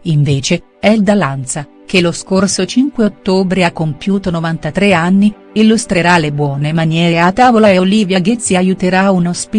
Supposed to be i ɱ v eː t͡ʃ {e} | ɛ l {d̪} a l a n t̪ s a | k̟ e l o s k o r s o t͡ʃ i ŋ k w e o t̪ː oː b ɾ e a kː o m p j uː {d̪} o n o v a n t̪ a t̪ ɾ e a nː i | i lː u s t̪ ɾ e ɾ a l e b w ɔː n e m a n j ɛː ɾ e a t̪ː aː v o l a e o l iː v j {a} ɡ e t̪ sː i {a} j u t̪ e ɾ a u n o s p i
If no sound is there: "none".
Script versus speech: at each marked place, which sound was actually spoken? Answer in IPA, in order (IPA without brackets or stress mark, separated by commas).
e, d̪, t̪, a, a